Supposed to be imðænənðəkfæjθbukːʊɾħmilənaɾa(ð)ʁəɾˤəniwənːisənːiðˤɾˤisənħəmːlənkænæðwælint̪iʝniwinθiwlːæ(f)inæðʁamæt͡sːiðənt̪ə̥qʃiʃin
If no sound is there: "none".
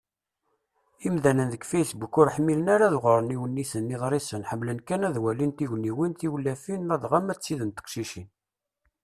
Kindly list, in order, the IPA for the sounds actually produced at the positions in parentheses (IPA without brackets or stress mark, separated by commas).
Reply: ð, f